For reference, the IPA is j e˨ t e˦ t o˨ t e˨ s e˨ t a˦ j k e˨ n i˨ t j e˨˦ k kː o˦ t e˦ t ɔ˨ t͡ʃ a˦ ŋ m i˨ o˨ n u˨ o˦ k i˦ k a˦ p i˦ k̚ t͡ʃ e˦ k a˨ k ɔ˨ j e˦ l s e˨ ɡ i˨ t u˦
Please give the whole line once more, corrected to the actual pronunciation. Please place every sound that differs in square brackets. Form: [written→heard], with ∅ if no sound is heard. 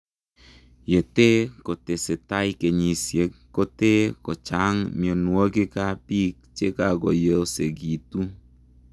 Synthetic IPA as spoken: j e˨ t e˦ [t→k] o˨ t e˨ s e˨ t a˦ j k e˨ [n→ɲ] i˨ [t→s] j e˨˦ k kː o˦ t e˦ [t→k] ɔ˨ t͡ʃ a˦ ŋ m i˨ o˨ n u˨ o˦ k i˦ k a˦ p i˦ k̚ t͡ʃ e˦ k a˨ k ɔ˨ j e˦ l s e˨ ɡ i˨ t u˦